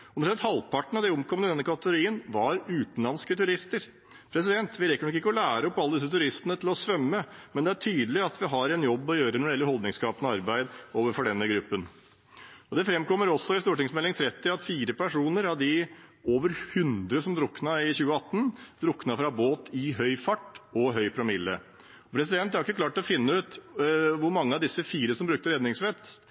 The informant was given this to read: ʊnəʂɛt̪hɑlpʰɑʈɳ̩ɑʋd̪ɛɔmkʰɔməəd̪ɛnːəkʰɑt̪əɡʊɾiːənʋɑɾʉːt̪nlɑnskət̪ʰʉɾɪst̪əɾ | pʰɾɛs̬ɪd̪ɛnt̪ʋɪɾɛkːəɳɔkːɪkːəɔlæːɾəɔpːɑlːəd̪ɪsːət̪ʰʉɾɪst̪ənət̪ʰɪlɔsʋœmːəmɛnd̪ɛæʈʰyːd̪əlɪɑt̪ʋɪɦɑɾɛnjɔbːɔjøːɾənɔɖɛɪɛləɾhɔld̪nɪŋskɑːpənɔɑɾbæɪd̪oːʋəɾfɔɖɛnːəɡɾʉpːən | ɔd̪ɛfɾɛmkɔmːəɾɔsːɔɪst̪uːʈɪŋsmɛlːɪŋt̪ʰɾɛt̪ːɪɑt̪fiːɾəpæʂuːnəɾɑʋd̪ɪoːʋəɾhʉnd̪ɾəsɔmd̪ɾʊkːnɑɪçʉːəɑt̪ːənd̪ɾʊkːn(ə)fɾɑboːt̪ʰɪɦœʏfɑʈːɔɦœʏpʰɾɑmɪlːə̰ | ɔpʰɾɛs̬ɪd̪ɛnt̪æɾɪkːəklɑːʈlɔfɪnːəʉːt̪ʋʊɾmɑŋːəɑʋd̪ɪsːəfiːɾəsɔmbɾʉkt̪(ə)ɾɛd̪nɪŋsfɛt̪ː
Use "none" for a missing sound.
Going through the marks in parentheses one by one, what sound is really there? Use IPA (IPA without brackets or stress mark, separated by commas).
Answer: ɑ, ə